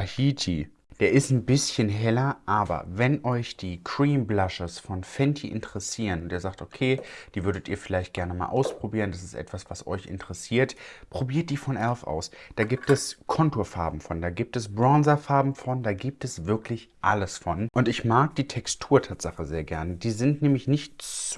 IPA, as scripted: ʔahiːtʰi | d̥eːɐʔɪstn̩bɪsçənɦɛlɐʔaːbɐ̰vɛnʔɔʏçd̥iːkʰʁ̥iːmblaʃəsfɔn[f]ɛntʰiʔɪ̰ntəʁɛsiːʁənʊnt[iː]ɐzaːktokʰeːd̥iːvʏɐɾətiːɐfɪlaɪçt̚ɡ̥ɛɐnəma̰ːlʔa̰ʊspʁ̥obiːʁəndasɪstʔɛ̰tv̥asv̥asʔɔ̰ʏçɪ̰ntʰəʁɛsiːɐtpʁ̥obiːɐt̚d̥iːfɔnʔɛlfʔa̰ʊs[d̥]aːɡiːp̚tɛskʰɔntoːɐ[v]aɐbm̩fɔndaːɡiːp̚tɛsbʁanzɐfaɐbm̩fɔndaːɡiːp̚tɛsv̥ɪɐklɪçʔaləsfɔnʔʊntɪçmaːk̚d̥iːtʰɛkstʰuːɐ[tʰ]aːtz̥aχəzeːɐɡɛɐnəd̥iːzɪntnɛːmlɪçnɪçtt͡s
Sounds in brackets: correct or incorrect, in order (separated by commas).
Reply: correct, correct, correct, incorrect, correct